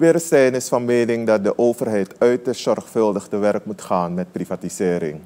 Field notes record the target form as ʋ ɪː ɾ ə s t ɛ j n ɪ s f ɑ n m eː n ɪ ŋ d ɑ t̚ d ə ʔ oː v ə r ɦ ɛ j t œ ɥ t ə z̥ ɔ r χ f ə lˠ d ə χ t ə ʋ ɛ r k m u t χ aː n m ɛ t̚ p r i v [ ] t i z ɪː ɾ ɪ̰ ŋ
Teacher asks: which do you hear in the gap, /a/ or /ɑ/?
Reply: a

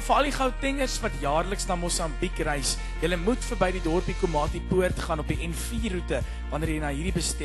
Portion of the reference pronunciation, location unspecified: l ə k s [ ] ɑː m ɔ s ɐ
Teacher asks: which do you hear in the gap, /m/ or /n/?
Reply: n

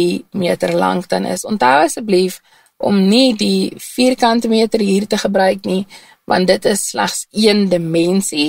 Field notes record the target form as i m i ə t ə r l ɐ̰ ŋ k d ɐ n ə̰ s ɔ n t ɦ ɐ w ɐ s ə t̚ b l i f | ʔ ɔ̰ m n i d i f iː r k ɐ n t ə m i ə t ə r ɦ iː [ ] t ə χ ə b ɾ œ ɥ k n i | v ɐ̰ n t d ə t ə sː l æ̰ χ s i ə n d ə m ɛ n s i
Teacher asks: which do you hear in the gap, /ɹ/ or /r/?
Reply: r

